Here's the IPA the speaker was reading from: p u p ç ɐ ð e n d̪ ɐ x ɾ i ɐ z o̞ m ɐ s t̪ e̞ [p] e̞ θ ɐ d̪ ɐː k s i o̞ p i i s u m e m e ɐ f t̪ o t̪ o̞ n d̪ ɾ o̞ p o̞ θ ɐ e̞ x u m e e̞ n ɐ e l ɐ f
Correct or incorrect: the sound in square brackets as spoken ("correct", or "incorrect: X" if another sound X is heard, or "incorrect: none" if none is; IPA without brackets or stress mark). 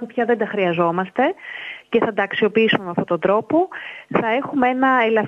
incorrect: c